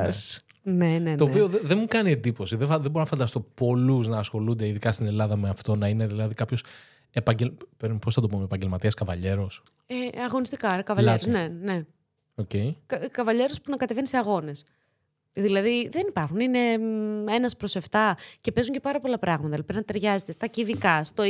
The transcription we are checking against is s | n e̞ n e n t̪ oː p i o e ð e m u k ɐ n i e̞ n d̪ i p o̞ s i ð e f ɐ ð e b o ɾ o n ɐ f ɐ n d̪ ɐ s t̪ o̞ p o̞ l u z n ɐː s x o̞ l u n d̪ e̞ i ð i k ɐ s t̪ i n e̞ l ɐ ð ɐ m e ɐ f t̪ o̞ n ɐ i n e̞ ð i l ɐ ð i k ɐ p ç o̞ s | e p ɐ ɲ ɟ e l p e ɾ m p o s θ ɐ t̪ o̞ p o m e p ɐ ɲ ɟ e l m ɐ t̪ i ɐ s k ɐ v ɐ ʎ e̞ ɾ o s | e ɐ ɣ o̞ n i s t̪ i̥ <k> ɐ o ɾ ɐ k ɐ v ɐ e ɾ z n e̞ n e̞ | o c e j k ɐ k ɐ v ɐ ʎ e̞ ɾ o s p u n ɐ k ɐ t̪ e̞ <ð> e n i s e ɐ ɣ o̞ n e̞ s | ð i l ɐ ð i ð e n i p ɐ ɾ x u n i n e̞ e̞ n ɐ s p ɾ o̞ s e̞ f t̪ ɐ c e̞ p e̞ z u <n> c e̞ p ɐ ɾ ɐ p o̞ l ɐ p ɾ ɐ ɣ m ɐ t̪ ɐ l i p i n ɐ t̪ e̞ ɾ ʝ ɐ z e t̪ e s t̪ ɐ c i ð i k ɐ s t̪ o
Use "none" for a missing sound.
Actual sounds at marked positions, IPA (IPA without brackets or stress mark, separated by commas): k, v, ɲ